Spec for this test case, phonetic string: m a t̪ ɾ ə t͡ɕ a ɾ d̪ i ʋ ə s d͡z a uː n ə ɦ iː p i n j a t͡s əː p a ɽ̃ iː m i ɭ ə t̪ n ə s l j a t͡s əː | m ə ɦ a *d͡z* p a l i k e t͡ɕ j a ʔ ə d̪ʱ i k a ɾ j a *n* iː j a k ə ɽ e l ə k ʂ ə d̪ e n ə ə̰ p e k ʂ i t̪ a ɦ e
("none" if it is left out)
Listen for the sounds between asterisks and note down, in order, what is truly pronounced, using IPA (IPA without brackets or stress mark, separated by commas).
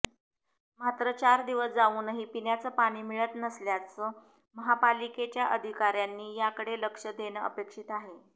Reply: none, nː